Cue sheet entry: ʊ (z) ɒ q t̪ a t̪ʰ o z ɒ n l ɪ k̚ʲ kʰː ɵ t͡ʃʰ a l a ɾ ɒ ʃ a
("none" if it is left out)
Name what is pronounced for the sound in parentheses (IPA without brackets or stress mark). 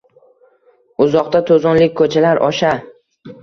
z